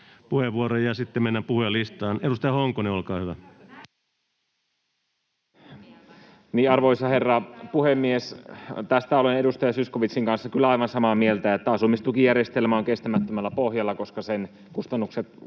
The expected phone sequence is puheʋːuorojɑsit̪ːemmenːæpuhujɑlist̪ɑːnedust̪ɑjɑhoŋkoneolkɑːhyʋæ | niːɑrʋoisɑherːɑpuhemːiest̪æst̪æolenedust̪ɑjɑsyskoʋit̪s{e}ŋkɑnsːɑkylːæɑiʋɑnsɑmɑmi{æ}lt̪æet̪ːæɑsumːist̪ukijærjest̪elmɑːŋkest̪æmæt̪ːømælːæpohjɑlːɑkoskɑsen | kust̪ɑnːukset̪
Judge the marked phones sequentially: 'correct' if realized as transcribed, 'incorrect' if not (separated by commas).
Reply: incorrect, incorrect